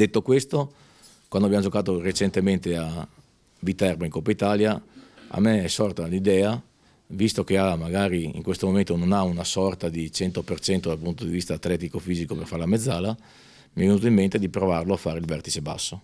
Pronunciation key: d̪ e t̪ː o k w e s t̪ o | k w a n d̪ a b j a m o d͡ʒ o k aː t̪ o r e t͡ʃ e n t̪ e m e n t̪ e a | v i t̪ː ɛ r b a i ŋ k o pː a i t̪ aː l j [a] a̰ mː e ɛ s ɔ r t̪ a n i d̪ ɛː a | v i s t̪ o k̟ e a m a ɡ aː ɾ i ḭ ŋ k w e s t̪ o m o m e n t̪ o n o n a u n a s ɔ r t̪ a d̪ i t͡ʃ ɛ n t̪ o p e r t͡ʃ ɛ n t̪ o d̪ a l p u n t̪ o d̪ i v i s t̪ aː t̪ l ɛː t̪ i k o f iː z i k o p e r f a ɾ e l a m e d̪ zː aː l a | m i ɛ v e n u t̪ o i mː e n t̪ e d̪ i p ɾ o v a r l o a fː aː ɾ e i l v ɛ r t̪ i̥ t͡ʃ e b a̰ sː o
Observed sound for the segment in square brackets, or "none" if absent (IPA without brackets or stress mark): a